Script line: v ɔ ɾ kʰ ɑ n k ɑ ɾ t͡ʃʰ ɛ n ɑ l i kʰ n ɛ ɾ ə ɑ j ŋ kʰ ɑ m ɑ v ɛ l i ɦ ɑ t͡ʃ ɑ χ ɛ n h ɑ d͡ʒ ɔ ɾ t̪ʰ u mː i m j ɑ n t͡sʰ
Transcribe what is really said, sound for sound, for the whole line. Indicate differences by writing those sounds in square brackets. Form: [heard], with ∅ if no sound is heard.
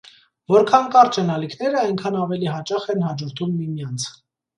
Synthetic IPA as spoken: v ɔ ɾ kʰ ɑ n k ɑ ɾ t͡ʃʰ ɛ n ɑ l i kʰ n ɛ ɾ ə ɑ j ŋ kʰ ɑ [n] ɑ v ɛ l i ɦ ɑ t͡ʃ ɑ χ ɛ n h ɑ d͡ʒ ɔ ɾ t̪ʰ u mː i m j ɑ n t͡sʰ